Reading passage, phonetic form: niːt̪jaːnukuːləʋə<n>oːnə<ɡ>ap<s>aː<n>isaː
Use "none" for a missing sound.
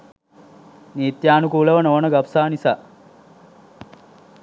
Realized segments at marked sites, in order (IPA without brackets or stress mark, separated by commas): n, ɡ, s, n